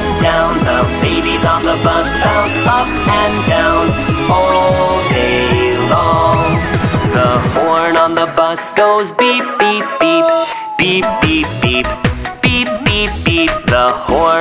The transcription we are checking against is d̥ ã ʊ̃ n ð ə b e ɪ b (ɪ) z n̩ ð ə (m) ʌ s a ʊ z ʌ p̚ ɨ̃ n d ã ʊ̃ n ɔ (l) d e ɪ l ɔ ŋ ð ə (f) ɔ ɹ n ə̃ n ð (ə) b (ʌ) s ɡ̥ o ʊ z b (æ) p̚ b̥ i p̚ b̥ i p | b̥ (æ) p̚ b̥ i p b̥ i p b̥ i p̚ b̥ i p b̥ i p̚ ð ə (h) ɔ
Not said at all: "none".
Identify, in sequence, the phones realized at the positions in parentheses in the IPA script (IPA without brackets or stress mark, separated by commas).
i, b, l, h, ə, ʌ, i, i, h